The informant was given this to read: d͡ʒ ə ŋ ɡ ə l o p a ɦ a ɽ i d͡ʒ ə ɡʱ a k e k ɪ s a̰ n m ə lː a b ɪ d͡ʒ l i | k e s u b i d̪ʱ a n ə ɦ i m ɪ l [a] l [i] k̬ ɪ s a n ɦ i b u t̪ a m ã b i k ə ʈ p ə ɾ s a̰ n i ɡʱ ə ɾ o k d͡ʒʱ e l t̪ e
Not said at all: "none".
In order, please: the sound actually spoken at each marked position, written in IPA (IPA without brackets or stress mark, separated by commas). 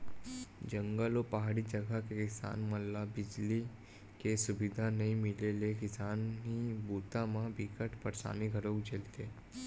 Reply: e, e